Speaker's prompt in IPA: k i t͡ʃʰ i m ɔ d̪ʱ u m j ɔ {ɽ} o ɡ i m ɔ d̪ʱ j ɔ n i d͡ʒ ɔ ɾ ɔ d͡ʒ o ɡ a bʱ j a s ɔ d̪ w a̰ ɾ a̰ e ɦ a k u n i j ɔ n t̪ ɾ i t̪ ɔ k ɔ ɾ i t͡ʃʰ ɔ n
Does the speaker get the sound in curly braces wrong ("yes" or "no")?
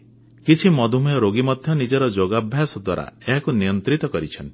yes